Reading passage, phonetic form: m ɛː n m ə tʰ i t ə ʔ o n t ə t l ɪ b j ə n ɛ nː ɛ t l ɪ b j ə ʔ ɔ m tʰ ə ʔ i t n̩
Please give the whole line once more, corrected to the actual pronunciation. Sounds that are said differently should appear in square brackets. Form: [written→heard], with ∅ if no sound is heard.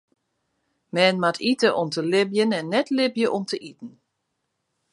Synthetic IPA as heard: m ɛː n m [ə→a] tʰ i t ə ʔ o [n→m] t ə [t→∅] l ɪ b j ə n ɛ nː ɛ t l ɪ b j ə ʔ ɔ m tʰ ə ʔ i t n̩